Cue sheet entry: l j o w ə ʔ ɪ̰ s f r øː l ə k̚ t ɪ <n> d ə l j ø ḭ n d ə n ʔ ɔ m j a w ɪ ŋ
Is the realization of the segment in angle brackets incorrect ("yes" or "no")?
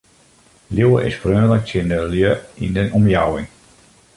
no